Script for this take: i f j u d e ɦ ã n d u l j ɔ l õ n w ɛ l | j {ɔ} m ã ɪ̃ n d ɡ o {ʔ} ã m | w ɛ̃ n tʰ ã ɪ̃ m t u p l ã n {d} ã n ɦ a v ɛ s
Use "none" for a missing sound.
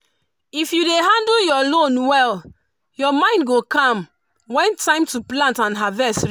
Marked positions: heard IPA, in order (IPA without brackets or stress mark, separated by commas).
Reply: ɔ, k, t